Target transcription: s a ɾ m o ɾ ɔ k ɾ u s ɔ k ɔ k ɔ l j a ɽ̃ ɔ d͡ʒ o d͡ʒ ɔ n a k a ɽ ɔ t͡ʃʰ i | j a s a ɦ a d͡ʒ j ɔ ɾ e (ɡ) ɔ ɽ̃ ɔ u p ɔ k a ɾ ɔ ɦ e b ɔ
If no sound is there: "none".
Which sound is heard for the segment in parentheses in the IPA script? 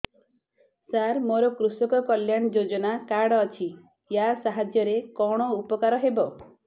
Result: k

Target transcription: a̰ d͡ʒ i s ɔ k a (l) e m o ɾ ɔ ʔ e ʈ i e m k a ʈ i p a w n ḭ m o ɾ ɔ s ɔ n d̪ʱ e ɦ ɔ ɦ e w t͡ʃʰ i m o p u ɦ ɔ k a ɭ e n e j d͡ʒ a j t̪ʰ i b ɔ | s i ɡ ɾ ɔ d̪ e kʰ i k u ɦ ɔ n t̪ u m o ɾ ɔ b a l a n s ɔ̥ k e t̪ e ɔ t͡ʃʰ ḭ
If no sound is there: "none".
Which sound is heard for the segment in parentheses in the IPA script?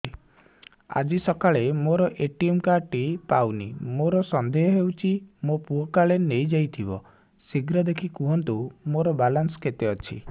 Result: ɭ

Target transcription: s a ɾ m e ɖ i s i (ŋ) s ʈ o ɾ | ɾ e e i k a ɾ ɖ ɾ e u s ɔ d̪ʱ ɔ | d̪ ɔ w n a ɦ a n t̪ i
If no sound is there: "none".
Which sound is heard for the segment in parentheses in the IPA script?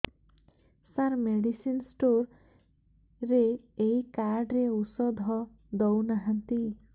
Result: n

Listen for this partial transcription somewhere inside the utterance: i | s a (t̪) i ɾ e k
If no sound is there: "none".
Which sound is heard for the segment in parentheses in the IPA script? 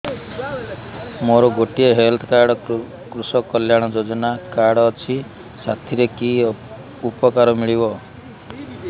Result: t̪ʰ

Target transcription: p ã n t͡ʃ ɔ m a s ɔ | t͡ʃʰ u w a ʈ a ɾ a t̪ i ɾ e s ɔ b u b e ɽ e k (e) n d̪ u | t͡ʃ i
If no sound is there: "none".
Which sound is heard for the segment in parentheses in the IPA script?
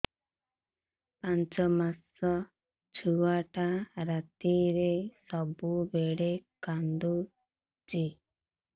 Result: a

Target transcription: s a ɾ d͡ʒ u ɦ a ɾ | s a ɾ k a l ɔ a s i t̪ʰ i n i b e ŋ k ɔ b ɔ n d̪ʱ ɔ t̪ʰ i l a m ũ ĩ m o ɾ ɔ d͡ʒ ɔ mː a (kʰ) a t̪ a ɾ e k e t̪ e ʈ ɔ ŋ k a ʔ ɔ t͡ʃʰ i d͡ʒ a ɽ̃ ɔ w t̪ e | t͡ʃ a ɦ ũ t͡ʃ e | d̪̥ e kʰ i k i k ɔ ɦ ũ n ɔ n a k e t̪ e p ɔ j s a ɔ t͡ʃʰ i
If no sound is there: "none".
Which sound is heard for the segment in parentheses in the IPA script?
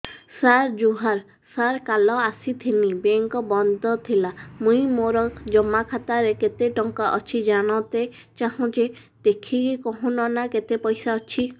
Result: kʰ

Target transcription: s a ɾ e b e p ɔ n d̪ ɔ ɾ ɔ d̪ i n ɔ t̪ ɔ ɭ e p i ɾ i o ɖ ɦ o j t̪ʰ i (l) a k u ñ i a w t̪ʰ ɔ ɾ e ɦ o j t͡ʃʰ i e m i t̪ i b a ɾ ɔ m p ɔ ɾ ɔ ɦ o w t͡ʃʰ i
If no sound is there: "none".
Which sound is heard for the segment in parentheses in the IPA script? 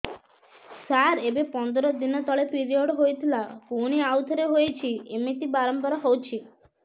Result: l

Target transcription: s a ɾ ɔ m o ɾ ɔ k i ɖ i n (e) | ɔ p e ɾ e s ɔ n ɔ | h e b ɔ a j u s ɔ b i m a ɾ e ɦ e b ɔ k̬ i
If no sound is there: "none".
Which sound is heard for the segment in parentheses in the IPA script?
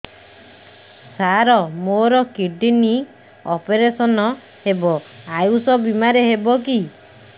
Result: i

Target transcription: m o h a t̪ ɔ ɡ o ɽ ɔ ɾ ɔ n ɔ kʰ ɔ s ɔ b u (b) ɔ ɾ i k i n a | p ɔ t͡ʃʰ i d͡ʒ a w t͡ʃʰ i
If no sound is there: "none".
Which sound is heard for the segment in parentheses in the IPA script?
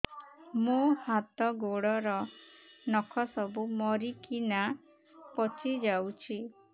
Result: m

